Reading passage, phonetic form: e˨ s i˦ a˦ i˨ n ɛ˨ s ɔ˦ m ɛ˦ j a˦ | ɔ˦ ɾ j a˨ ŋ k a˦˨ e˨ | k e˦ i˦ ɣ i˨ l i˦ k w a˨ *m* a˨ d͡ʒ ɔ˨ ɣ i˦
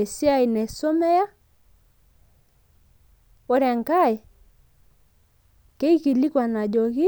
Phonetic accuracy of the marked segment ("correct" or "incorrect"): incorrect